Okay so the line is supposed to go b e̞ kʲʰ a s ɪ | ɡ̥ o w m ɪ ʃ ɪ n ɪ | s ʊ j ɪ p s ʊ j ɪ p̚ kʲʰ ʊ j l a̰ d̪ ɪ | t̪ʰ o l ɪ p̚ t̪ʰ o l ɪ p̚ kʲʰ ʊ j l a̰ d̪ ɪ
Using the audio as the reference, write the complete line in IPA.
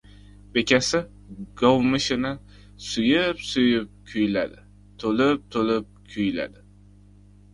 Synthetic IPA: b e̞ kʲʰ a s ɪ | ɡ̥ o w m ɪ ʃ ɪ n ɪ | s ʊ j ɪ p s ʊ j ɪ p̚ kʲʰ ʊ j l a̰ d̪ ɪ | t̪ʰ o l ɪ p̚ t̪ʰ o l ɪ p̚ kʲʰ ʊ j l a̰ d̪ ɪ

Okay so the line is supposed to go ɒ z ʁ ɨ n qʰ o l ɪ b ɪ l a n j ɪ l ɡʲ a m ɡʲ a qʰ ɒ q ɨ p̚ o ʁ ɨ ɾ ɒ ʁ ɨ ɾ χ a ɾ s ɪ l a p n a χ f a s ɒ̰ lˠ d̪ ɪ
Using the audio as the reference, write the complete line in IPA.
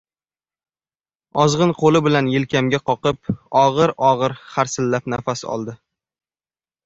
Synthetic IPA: ɒ z ʁ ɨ n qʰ o l ɪ b ɪ l a n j ɪ l kʲ a m ɡʲ a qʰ ɒ q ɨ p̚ ɒ ʁ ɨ ɾ ɒ ʁ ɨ ɾ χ a ɾ s ɪ lː a p n a f a s ɒ̰ lˠ d̪ ɪ

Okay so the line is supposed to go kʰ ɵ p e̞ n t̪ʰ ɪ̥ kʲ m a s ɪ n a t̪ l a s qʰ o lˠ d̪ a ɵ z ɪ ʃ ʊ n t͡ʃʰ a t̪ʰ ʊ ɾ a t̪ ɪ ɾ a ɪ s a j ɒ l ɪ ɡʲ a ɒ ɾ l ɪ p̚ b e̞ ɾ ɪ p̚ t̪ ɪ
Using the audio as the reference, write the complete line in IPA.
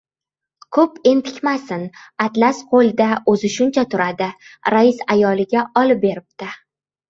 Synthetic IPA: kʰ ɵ p e̞ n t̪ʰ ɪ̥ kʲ m a s ɪ n a t̪ l a s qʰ o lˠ d̪ a ɵ z ɪ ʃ ʊ n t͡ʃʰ a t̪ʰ ʊ ɾ a d̪ ɪ ɾ a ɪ s a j ɒ l ɪ ɡʲ a ɒ l ɪ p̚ b e̞ ɾ ɪ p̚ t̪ ɪ

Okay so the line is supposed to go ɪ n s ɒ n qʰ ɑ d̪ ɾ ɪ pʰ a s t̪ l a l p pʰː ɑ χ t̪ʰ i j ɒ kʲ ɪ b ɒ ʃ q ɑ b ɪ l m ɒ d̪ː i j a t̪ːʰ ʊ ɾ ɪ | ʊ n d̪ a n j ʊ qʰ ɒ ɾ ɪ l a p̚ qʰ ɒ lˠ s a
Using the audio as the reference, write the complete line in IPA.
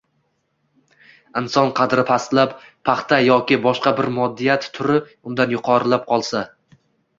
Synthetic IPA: ɪ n s ɒ n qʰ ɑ d̪ ɾ ɪ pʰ a s t̪ l a p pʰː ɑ χ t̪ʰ a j ɒ kʲ ɪ b ɒ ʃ q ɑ b ɪ ɾ m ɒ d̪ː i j a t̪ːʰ ʊ ɾ ɪ | ʊ n d̪ a n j ʊ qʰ ɒ ɾ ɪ l a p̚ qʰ ɒ lˠ s a

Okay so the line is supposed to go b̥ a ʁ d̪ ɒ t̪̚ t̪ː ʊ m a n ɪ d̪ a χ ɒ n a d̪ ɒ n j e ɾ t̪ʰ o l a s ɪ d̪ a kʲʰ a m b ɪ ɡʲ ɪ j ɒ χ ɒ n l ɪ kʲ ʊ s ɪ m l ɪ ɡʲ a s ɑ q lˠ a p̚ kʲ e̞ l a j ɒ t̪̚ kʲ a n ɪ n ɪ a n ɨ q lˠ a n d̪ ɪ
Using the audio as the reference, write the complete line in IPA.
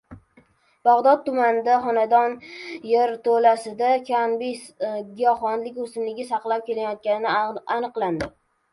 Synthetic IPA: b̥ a ʁ d̪ ɒ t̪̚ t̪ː ʊ m a n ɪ d̪ a χ ɒ n a d̪ ɒ n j e ɾ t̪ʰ o l a s ɪ d̪ a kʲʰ a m b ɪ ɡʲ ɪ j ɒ χ ɒ n l ɪ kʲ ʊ s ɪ m l ɪ ɡʲ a s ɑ q lˠ a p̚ kʲ e̞ l a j ɒ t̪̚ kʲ a n ɪ n ɪ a n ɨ q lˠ a n d̪ ɪ

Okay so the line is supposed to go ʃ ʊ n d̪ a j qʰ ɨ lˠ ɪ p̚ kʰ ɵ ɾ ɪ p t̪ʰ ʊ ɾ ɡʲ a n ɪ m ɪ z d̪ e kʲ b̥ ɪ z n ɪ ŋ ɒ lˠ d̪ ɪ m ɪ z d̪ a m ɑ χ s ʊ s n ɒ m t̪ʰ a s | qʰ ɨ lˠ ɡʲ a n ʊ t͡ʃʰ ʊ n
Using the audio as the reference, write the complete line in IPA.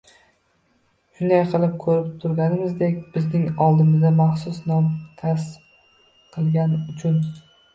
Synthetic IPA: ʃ ʊ n d̪ a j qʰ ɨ lˠ ɪ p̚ kʰ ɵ ɾ ɪ p t̪ʰ ʊ ɾ ɡʲ a n ɪ m ɪ z d̪ e kʲ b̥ ɪ z n ɪ ŋ ɒ lˠ d̪ ɪ m ɪ z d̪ a m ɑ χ s ʊ s n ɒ m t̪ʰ a s | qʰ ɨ lˠ ɡʲ a n ʊ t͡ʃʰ ʊ n

